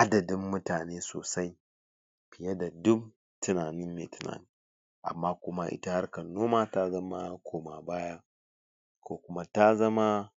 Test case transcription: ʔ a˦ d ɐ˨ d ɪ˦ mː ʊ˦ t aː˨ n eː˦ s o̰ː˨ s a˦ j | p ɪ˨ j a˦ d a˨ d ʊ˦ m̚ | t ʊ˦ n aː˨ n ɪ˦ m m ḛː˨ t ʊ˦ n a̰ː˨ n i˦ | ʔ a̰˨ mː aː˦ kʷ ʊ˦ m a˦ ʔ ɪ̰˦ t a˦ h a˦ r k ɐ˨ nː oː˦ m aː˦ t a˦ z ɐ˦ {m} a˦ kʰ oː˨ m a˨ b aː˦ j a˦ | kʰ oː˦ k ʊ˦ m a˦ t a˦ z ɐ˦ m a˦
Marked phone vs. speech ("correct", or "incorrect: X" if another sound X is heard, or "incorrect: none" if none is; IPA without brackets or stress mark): correct